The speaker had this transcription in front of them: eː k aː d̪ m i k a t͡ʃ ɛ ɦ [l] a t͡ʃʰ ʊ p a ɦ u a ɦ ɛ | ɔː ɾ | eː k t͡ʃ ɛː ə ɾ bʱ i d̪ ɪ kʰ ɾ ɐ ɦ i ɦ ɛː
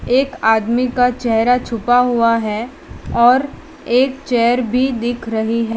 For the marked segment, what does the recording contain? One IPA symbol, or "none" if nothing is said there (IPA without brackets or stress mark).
ɾ